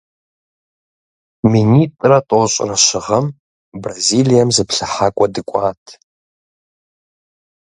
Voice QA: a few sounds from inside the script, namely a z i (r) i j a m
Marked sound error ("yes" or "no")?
yes